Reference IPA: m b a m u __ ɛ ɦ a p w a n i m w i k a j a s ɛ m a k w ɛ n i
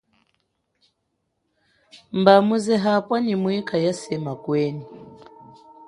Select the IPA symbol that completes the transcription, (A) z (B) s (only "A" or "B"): A